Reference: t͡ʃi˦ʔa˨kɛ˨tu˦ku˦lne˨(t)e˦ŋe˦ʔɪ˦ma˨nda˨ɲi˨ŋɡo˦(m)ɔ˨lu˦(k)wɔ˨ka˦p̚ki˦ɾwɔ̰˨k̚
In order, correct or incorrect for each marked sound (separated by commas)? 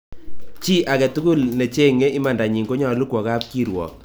incorrect, incorrect, correct